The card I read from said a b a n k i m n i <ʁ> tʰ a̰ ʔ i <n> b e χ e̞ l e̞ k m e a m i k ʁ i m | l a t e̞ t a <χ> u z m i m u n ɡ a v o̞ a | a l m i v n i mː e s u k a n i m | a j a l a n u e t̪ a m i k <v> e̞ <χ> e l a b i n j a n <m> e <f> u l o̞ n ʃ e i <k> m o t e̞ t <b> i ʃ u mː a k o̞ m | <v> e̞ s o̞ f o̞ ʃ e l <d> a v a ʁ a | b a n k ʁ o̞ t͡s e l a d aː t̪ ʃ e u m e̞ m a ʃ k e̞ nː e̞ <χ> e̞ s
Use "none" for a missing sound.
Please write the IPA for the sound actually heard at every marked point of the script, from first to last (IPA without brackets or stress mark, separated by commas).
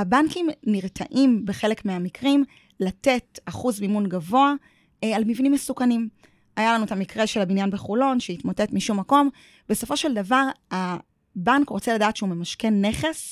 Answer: ʁ, m, χ, ʁ, ʃ, b, χ, t, m, b, d, χ